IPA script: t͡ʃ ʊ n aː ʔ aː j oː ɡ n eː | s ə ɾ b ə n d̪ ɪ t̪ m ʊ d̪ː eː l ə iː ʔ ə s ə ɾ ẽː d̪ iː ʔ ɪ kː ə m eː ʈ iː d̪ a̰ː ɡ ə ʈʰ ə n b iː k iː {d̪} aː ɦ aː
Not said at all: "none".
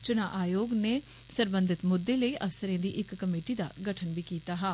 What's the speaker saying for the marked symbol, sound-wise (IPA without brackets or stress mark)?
t̪